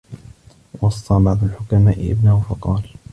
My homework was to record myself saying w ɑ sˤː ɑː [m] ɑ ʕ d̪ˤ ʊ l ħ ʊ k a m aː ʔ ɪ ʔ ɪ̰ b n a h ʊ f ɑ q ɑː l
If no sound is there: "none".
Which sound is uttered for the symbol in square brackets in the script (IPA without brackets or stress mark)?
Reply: b